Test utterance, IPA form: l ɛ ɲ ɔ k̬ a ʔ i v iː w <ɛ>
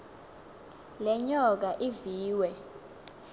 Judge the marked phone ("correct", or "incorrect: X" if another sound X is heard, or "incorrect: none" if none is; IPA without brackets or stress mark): correct